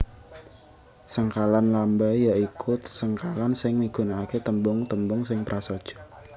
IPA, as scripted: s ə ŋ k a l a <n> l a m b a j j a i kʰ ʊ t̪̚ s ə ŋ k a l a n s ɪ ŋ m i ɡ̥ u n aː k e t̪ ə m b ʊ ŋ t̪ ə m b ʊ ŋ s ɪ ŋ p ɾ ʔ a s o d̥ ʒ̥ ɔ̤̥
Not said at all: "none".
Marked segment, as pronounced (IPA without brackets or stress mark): n